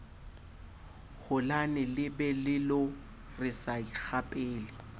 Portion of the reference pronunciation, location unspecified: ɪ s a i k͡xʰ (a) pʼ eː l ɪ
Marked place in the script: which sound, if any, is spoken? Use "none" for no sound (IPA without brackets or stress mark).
a